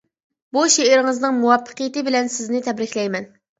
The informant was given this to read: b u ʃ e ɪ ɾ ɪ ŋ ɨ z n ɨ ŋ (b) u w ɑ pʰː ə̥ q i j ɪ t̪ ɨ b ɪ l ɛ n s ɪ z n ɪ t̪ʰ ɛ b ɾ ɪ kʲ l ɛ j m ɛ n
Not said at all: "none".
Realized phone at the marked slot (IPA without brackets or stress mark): m